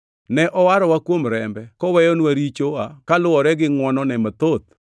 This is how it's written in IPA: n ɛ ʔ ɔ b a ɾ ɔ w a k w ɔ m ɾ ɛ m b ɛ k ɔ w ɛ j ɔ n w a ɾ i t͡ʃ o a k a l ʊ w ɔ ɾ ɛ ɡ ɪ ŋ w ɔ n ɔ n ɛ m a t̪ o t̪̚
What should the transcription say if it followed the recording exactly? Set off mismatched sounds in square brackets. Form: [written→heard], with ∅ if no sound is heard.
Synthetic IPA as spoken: n ɛ ʔ ɔ [b→w] a ɾ ɔ w a k w [ɔ→o] m ɾ ɛ m b ɛ k ɔ w ɛ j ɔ n w a ɾ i t͡ʃ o a k a l ʊ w ɔ ɾ ɛ ɡ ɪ ŋ w ɔ n ɔ n ɛ m a t̪ o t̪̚